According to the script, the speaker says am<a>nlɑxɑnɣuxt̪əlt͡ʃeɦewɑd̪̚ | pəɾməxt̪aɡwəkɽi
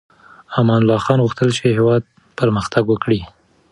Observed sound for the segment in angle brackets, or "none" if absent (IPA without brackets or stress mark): ɑ